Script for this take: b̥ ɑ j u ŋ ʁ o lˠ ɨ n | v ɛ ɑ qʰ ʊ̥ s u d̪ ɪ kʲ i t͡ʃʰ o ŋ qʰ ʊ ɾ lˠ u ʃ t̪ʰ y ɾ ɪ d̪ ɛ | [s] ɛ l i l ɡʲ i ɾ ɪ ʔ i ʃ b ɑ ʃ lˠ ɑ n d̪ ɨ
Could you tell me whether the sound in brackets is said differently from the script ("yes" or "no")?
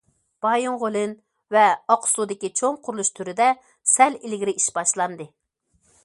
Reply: no